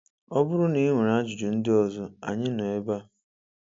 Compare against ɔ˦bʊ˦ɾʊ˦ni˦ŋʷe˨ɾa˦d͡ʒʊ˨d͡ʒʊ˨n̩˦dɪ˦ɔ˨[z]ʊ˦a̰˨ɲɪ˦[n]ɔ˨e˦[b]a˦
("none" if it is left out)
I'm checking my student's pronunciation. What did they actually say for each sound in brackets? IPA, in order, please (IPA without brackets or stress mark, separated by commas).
z, n, b